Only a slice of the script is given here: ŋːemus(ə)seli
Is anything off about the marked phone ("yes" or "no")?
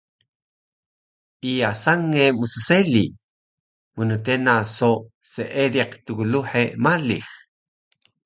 no